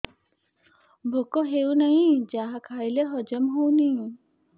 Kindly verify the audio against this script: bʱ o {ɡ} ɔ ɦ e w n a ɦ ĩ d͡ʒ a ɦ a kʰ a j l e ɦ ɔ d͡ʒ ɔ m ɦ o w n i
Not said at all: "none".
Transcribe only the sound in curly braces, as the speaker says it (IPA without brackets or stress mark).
k